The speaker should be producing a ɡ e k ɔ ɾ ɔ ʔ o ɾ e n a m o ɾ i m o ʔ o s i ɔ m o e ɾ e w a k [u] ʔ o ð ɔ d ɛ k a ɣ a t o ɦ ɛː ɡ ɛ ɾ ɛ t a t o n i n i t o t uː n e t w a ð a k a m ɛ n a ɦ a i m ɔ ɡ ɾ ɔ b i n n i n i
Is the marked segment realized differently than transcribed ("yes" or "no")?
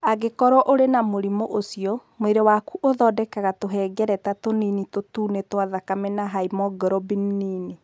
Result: no